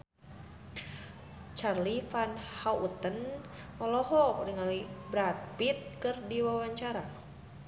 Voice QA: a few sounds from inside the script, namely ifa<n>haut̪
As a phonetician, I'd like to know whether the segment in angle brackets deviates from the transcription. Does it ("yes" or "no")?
no